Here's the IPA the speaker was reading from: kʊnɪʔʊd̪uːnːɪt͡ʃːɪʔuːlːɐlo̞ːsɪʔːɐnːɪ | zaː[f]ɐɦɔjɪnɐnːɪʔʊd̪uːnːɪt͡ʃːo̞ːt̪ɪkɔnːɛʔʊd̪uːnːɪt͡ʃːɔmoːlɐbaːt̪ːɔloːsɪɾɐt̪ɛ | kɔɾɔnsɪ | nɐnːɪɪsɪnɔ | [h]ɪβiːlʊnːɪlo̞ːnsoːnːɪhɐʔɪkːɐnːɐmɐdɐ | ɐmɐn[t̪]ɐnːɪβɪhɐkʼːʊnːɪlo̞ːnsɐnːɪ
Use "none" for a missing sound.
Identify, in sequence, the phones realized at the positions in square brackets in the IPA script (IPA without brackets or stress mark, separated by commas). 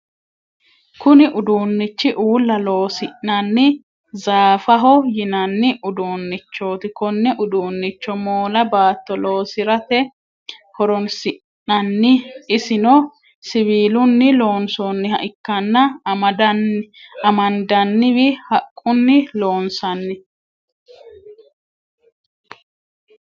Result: f, s, d̪